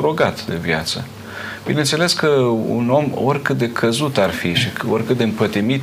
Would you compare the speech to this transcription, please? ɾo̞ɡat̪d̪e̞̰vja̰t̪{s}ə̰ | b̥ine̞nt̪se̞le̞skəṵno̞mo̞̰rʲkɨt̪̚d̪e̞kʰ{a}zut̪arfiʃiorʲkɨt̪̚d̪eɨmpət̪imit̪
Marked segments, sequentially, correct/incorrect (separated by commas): correct, incorrect